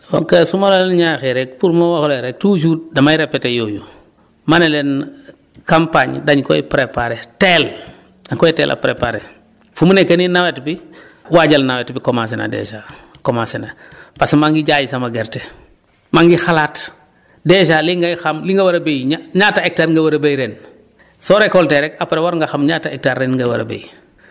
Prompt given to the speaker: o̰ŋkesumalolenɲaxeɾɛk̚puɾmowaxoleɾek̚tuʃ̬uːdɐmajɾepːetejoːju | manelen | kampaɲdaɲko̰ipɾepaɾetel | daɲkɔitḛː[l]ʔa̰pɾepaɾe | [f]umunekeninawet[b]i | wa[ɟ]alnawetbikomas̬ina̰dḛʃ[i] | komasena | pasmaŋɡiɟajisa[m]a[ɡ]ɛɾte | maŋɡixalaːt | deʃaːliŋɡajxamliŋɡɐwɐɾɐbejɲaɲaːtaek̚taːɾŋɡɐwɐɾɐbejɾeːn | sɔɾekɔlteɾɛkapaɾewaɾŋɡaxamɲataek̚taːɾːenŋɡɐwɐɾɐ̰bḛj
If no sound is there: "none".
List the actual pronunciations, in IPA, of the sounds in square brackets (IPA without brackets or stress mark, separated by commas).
l, f, b, ɟ, a, m, ɡ